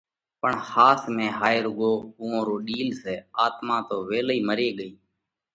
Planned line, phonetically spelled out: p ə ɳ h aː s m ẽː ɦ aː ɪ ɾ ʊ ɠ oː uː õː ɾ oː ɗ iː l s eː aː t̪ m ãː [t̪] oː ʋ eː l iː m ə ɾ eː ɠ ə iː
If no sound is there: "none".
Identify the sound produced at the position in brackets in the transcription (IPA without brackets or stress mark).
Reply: t̪